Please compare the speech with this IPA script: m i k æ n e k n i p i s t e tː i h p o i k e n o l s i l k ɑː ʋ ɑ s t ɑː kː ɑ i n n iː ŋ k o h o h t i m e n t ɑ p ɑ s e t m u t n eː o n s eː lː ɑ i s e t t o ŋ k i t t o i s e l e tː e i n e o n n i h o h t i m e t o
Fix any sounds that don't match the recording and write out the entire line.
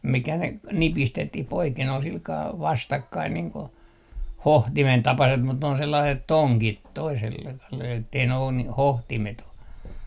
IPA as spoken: m i k æ n e k n i p i s t e tː i h p o i k e n o l s i l k ɑː ʋ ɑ s t ɑ kː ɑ i n n iː ŋ k o h o h t i m e n t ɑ p ɑ s e t m u t n e o n s e lː ɑ i s e t t o ŋ k i t t o i s e l e tː e i n e o n n i h o h t i m e t o